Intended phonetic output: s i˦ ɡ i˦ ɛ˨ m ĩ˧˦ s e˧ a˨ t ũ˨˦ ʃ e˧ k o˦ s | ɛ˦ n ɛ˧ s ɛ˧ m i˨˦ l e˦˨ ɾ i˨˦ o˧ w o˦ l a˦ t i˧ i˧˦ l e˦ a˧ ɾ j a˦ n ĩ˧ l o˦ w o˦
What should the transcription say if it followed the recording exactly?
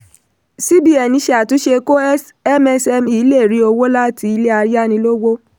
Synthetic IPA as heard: s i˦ b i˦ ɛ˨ n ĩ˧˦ ʃ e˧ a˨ t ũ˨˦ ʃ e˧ k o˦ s | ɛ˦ m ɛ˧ s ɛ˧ m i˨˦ l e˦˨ ɾ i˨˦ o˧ w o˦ l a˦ t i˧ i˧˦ l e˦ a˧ ɾ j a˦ n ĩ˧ l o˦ w o˦